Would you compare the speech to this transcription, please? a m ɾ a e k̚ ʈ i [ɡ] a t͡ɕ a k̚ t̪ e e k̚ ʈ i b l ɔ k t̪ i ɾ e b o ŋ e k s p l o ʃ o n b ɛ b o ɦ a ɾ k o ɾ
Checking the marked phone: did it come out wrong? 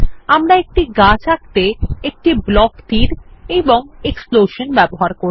no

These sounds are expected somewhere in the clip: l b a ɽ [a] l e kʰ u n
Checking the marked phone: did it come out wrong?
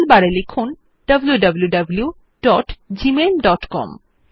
yes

